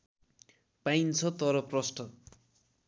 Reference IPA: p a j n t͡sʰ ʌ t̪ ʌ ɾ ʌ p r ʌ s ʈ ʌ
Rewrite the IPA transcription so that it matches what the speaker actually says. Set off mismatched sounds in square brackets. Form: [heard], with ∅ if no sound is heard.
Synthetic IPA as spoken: p a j n t͡sʰ ʌ t̪ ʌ ɾ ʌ p r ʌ s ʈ ʌ